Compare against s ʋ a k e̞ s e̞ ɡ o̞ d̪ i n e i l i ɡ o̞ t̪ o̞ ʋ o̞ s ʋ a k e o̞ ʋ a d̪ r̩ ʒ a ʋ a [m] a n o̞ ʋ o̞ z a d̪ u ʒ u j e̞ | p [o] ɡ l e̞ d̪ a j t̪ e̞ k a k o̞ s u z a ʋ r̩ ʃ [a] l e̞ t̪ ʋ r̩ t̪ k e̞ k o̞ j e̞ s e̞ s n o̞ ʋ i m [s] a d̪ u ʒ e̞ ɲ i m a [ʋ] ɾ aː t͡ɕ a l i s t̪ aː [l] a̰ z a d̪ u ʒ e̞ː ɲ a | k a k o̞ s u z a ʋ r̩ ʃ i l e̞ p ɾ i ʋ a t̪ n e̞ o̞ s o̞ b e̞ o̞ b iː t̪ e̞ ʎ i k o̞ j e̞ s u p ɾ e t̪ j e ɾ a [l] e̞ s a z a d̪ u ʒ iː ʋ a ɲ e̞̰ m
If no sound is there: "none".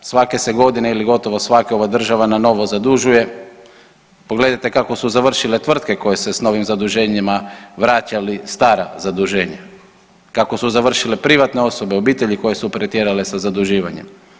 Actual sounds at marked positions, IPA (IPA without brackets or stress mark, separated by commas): n, o, i, z, ʋ, ɾ, l